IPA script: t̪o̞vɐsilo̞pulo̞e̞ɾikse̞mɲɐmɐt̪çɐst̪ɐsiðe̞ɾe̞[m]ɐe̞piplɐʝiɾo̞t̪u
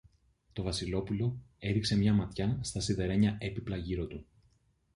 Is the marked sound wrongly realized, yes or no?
yes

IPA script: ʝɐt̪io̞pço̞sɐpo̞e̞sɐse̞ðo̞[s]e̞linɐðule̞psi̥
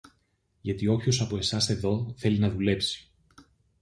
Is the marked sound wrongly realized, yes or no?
yes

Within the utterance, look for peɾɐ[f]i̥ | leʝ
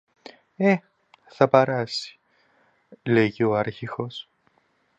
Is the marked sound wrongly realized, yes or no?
yes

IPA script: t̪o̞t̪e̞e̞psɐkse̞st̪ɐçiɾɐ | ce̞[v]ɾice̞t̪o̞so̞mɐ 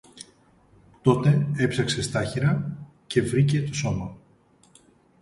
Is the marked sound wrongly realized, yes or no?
no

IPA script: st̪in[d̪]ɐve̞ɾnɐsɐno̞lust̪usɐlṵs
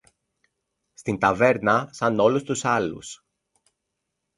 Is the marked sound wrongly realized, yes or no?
yes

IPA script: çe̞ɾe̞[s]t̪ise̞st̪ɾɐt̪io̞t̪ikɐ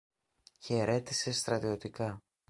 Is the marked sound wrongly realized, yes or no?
yes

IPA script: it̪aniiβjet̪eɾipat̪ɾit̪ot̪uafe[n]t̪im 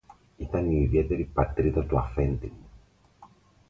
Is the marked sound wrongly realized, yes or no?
no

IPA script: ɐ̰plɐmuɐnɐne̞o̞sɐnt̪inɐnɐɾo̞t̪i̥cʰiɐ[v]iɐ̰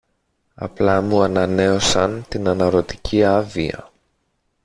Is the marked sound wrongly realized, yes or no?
no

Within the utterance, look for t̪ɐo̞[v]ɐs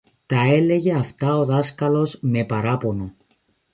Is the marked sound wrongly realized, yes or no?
yes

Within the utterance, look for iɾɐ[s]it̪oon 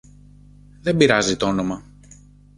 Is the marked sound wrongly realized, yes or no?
yes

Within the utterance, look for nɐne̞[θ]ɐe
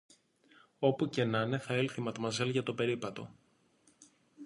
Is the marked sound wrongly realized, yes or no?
no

